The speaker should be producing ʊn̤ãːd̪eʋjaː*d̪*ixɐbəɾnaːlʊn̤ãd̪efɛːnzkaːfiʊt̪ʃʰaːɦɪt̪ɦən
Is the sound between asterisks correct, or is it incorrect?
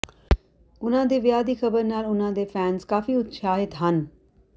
correct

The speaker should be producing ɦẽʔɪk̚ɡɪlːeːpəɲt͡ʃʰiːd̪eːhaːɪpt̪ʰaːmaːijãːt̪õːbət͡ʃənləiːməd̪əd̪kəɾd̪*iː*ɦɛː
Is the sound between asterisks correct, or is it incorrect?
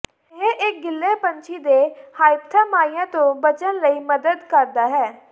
incorrect: aː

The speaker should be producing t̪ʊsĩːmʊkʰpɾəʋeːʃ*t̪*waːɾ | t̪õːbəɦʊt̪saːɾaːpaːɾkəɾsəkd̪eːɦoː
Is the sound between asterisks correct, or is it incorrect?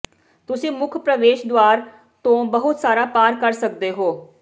incorrect: d̪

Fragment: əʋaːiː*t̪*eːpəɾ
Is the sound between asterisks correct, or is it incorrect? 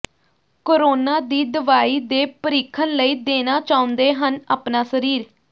incorrect: d̪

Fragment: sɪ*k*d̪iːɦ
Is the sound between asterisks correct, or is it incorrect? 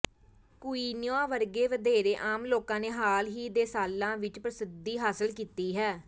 incorrect: none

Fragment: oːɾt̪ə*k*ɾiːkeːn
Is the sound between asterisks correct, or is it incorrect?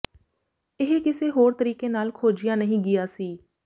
incorrect: none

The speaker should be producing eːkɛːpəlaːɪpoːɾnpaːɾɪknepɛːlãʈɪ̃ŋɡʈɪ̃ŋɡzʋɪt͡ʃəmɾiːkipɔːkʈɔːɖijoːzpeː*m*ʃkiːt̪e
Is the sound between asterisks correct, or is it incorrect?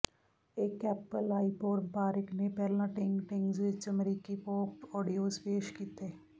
incorrect: none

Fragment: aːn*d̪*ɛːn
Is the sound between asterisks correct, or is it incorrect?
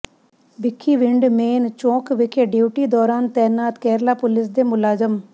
incorrect: t̪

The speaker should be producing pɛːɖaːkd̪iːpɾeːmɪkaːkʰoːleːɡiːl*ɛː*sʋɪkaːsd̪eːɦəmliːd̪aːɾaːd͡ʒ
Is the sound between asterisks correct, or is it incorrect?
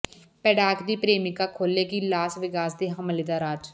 incorrect: aː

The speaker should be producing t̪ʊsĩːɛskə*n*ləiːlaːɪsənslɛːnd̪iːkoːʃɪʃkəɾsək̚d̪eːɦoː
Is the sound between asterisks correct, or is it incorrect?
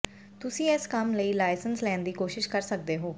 incorrect: m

